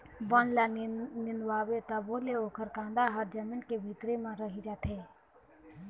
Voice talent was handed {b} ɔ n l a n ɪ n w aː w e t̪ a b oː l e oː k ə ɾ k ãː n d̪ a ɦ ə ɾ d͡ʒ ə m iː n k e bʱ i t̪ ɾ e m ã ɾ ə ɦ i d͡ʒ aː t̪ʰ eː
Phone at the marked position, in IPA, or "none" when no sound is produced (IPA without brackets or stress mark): b